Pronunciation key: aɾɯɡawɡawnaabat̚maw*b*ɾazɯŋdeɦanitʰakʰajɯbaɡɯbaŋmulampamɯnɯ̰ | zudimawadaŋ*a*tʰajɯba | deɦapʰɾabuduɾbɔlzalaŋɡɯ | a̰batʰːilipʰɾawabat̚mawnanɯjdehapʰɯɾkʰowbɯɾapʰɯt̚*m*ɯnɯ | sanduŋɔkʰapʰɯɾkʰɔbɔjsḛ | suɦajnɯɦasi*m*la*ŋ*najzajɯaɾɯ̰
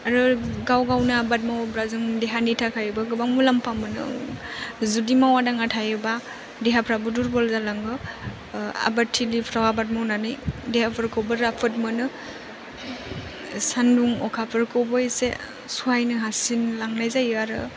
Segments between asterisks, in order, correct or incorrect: correct, correct, correct, incorrect, correct

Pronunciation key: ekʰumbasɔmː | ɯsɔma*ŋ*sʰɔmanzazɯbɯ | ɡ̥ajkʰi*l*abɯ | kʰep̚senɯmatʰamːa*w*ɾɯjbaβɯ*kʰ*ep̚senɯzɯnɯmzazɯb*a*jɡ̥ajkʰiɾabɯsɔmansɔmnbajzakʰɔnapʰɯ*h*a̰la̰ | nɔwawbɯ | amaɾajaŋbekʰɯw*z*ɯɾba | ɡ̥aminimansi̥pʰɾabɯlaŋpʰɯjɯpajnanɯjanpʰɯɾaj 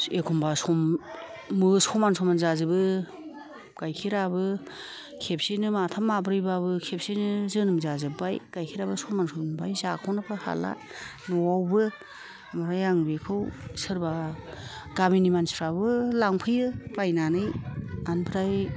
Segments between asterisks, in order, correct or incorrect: incorrect, incorrect, incorrect, correct, correct, correct, incorrect

